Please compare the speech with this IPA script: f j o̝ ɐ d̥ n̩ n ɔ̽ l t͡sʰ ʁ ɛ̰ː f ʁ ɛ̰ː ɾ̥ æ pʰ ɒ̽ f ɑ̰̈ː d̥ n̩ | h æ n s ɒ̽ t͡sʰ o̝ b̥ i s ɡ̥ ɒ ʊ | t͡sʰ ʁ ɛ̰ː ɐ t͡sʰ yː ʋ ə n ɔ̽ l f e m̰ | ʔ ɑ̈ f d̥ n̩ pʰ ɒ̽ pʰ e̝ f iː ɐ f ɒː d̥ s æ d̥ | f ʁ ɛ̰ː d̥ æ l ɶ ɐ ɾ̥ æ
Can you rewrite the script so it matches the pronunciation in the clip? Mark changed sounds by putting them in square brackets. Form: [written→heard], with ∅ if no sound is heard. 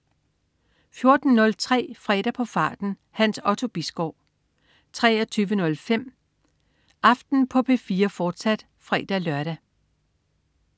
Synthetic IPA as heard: f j o̝ ɐ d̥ n̩ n ɔ̽ l t͡sʰ ʁ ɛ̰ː f ʁ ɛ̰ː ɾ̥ æ pʰ ɒ̽ f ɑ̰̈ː d̥ n̩ | h æ n s ɒ̽ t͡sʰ o̝ b̥ i s ɡ̥ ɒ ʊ | t͡sʰ ʁ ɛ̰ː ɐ t͡sʰ yː ʋ ə n ɔ̽ l f e m̰ | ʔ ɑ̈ f d̥ n̩ pʰ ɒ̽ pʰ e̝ f iː ɐ f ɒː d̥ s æ d̥ | f ʁ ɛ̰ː d̥ æ l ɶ ɐ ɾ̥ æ